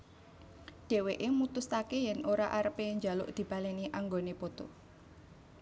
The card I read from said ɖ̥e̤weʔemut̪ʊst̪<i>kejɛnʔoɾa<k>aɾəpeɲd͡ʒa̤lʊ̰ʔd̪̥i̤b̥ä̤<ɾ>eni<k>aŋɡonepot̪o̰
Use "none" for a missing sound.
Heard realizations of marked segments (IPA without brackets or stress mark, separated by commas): a, ʔ, l, ʔ